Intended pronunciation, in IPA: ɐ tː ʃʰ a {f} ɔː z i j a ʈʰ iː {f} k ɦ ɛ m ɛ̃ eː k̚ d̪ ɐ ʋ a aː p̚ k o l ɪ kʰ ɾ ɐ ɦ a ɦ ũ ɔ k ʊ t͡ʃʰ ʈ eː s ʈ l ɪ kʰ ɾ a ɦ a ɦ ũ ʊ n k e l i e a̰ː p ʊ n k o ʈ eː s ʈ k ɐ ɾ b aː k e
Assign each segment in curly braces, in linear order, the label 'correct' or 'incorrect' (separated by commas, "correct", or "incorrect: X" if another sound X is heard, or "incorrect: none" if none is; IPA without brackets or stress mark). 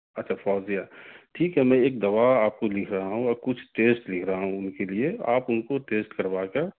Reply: correct, incorrect: none